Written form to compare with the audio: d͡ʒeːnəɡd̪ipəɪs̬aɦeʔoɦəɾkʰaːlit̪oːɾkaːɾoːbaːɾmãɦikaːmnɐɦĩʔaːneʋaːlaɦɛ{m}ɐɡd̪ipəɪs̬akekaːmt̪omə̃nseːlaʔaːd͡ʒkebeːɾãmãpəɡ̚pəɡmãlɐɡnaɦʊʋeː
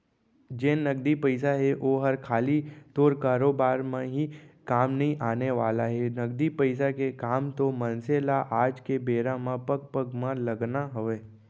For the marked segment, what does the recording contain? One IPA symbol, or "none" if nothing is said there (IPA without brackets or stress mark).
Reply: n